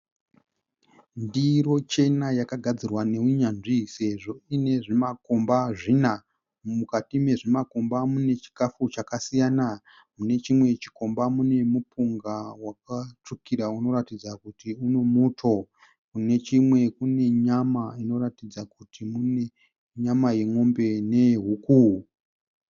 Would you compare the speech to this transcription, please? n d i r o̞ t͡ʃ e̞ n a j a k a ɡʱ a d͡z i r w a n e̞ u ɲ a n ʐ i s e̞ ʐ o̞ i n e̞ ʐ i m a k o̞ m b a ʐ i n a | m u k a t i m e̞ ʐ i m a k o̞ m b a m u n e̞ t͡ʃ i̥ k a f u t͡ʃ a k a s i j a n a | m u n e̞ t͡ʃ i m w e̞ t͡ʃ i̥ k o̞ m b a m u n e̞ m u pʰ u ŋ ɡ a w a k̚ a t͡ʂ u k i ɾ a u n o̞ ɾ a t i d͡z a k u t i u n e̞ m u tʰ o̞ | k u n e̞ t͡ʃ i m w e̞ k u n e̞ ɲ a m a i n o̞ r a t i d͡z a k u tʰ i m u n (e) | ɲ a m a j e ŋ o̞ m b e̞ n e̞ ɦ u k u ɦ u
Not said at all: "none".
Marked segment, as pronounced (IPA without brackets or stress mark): e